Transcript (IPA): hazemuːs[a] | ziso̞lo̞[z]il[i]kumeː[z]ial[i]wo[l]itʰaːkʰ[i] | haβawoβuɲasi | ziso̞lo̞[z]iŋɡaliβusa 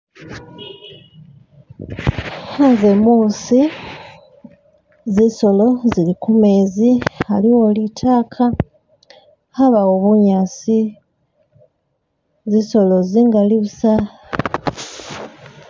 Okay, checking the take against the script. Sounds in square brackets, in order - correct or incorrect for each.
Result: incorrect, correct, correct, correct, correct, correct, incorrect, correct

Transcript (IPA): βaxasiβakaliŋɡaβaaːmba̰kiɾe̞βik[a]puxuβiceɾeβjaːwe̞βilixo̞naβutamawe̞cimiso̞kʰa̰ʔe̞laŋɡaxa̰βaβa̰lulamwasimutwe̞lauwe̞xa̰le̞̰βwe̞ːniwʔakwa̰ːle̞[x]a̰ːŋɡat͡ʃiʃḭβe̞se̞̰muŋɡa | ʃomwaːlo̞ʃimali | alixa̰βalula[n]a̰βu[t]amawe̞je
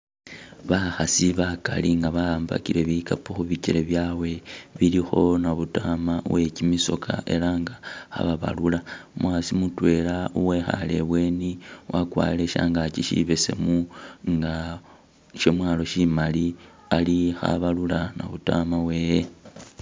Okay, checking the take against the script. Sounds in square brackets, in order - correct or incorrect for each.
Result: correct, incorrect, correct, correct

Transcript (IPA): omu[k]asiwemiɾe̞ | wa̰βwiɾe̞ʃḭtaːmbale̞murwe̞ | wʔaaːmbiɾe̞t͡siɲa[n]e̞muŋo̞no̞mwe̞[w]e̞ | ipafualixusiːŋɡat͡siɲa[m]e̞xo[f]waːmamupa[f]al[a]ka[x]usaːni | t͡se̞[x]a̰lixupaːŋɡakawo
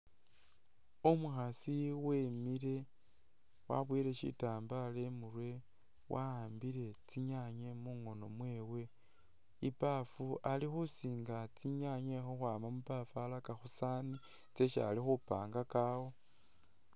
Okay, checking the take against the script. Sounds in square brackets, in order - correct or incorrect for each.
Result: incorrect, incorrect, correct, incorrect, incorrect, correct, correct, correct, incorrect

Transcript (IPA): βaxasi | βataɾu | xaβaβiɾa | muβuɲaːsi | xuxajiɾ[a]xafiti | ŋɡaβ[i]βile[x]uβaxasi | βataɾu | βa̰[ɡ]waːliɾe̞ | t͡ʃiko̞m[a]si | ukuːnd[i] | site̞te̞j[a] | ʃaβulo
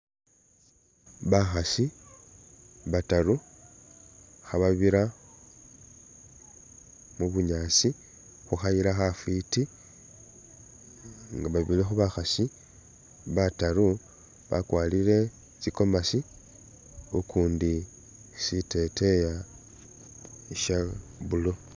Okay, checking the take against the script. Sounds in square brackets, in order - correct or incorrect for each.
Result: correct, incorrect, correct, incorrect, correct, correct, correct

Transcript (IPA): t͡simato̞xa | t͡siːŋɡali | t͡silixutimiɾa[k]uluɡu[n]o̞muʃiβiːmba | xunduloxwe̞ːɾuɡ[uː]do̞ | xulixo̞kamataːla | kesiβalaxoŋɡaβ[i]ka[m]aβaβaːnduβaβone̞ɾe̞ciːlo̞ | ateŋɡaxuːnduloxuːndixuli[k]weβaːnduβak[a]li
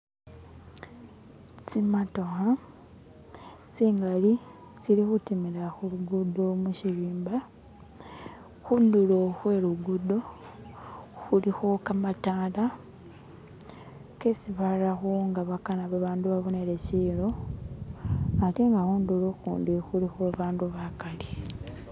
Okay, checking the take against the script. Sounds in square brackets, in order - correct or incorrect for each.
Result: incorrect, incorrect, incorrect, incorrect, incorrect, incorrect, correct

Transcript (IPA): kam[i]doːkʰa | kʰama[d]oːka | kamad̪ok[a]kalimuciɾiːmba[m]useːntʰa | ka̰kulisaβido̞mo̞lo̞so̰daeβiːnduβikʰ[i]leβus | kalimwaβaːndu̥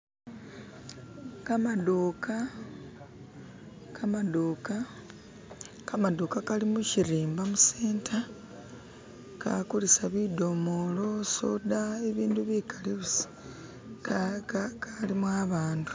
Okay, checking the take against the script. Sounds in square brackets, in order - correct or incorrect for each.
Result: incorrect, correct, correct, correct, incorrect

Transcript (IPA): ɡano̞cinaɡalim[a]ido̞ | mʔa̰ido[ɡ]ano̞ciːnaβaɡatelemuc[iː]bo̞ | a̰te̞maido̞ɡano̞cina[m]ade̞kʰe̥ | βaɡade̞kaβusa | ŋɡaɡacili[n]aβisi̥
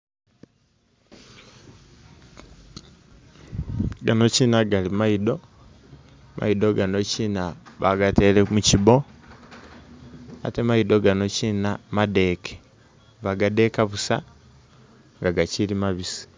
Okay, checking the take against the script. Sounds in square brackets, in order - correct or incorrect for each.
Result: correct, correct, incorrect, correct, incorrect

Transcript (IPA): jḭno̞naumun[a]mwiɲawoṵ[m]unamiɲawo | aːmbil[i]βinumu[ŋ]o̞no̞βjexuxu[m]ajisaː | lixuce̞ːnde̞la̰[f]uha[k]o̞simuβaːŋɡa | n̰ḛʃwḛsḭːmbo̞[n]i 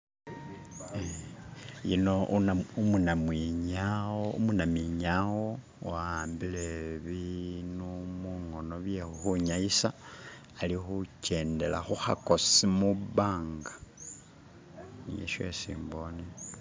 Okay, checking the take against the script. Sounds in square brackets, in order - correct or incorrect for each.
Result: correct, correct, incorrect, correct, incorrect, incorrect, correct, correct

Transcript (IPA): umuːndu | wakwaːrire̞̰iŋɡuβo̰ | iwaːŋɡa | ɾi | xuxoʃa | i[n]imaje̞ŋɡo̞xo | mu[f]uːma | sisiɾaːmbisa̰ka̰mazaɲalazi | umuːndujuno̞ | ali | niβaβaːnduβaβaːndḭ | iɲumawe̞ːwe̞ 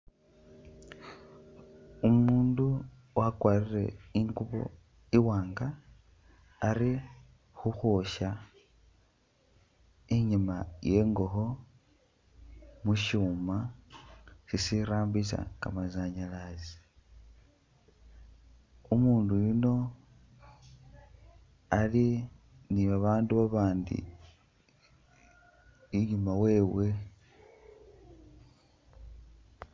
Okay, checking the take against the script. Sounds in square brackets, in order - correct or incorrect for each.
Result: incorrect, incorrect

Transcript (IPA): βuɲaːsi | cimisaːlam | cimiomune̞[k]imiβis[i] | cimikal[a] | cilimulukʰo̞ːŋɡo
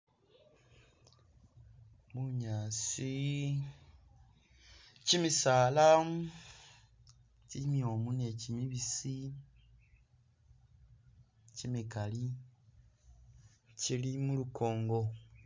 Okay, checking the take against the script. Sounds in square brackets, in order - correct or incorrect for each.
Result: incorrect, correct, incorrect

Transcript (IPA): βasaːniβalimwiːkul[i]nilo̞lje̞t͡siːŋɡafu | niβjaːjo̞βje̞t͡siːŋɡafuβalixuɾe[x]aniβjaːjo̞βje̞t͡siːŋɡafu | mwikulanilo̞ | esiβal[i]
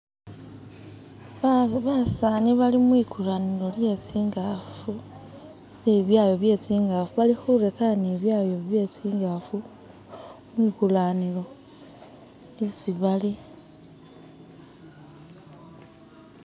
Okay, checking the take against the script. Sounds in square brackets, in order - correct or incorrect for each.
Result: incorrect, incorrect, correct

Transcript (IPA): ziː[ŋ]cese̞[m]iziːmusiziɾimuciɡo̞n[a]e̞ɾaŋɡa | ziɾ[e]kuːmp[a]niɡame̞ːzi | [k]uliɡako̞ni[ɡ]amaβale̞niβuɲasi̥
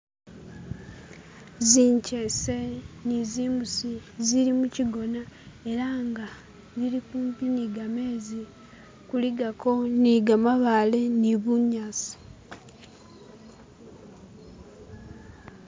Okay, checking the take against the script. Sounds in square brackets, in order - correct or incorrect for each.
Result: incorrect, incorrect, correct, incorrect, incorrect, correct, correct

